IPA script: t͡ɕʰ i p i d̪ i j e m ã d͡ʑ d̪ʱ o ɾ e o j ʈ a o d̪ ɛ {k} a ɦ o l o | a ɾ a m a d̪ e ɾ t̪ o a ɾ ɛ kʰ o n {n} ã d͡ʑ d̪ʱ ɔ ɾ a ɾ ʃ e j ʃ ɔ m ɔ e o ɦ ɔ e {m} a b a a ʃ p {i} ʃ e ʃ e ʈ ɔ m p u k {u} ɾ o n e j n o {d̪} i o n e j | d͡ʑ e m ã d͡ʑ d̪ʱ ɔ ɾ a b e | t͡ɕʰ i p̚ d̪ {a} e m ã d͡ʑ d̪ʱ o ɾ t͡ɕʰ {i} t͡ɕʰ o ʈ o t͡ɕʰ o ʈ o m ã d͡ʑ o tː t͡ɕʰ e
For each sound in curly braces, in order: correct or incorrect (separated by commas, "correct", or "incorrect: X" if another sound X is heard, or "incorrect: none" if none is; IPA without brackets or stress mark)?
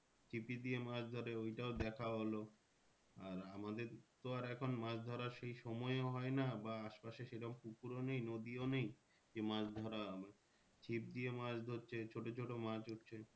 incorrect: kʰ, incorrect: m, incorrect: n, incorrect: a, correct, correct, incorrect: i, incorrect: e